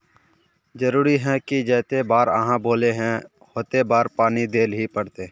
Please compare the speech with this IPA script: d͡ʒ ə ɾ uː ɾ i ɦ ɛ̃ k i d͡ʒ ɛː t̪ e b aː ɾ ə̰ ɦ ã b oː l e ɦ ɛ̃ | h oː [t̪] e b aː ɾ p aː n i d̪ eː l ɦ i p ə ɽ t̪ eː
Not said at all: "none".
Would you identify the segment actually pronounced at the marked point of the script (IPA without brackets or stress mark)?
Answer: t̪